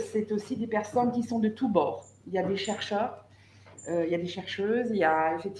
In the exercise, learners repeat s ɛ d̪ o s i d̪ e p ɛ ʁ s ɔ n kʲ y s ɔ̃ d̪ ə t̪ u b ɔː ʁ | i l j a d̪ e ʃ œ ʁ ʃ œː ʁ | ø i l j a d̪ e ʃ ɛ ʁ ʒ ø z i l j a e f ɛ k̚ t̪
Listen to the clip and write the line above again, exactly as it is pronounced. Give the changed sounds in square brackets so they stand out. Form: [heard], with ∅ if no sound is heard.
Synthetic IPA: s ɛ [t̪] o s i d̪ e p ɛ ʁ s ɔ n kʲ [i] s ɔ̃ d̪ ə t̪ u b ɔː ʁ | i l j a d̪ e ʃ [ɛ] ʁ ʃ œː ʁ | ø i l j a d̪ e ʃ ɛ ʁ [ʃ] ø z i l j a e f ɛ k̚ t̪